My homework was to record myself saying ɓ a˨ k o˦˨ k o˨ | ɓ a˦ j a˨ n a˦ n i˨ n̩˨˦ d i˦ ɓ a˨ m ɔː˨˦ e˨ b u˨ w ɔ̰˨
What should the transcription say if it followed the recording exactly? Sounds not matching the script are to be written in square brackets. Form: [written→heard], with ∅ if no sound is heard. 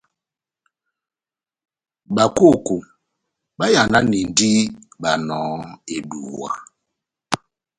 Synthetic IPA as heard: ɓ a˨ k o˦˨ k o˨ | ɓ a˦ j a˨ n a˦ n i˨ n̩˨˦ d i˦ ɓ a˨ [m→n] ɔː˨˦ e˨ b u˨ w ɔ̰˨